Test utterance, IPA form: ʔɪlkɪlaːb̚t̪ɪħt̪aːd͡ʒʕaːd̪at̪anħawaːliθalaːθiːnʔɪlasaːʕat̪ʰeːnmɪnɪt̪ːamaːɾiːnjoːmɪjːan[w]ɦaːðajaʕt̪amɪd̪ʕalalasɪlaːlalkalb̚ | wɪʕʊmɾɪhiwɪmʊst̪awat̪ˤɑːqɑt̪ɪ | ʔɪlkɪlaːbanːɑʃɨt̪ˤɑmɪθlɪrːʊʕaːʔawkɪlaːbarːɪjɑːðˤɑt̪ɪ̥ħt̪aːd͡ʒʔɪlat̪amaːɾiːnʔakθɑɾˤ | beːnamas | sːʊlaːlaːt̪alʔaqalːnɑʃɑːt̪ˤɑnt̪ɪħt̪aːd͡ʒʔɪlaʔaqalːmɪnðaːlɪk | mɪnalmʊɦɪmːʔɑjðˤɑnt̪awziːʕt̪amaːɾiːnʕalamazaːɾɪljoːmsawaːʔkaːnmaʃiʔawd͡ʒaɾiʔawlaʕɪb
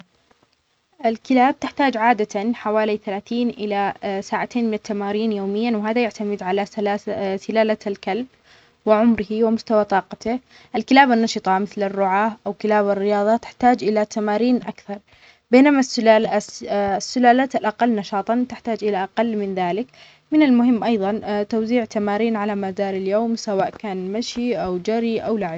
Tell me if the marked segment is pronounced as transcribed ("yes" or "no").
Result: yes